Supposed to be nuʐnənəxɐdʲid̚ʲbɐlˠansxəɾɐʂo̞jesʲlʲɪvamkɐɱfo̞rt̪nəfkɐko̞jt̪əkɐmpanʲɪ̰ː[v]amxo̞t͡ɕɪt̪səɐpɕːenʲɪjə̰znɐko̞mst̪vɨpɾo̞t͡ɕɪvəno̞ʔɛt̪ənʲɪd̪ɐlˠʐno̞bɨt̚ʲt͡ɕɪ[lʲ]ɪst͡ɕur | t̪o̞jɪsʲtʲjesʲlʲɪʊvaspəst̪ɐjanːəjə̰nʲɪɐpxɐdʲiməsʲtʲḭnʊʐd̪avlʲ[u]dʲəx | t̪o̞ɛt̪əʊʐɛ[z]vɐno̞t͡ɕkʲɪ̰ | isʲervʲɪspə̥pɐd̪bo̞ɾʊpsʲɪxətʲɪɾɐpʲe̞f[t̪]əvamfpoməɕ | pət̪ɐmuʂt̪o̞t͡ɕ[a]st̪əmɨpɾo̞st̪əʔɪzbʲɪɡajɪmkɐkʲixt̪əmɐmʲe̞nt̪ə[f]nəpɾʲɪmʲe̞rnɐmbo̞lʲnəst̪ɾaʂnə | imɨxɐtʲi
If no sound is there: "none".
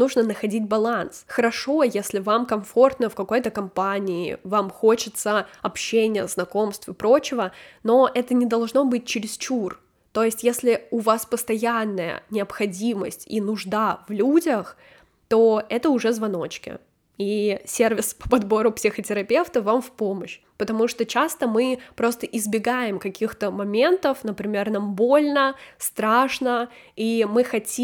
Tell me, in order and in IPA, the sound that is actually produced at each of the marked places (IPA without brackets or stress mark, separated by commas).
v, ɾʲ, u, z, t̪, a, f